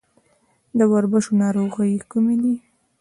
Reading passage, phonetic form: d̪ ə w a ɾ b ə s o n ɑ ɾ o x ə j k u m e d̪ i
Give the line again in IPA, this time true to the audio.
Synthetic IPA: d̪ ə w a ɾ b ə ʃ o n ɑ ɾ o ɣ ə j k u m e d̪ i